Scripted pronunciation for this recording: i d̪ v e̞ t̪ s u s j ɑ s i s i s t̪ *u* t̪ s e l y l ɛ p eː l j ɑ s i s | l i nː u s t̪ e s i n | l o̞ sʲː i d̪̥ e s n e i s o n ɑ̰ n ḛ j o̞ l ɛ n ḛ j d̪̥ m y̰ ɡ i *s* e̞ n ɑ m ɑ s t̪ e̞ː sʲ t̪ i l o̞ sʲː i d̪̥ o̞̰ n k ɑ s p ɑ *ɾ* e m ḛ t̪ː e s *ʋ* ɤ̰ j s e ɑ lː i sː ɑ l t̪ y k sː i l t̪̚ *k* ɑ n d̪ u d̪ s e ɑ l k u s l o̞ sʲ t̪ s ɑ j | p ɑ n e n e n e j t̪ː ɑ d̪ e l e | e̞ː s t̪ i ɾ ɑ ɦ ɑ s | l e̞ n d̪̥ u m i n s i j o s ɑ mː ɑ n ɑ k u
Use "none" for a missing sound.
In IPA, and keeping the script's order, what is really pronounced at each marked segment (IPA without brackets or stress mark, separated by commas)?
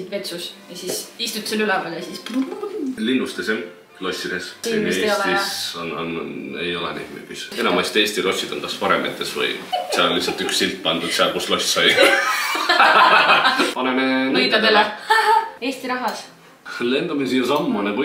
u, s, ɾ, v, p